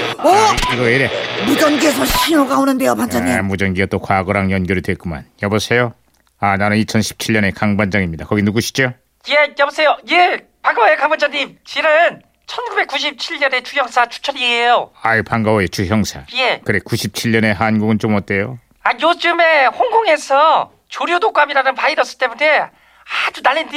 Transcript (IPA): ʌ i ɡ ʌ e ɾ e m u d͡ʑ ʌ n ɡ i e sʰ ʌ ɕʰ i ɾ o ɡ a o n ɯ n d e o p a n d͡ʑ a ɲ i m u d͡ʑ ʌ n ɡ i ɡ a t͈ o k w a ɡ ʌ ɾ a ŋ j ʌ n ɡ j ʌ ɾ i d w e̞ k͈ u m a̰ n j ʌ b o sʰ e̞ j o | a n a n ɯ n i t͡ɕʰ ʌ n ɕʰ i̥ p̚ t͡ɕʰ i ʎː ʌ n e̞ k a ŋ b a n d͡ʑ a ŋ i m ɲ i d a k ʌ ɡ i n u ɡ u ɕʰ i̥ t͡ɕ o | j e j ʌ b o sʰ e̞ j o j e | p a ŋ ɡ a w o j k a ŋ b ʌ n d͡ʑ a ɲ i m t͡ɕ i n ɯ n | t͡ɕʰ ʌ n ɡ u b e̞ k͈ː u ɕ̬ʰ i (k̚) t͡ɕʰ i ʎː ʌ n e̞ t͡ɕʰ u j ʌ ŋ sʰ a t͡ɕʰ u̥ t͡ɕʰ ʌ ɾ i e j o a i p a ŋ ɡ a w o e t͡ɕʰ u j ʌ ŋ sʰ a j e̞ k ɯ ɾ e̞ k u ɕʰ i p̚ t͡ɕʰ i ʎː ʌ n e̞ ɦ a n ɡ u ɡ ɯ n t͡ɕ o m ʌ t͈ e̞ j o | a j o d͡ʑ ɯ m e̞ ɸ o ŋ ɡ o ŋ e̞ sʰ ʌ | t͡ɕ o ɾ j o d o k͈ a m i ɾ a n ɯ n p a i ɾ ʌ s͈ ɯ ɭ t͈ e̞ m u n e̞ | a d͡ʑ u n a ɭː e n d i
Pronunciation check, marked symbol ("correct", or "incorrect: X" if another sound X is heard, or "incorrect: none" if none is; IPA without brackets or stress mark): incorrect: p̚